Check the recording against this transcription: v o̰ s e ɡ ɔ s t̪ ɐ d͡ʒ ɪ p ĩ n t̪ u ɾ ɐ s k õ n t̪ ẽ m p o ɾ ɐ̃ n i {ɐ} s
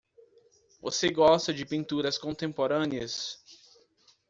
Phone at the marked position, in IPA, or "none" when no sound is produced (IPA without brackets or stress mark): ɐ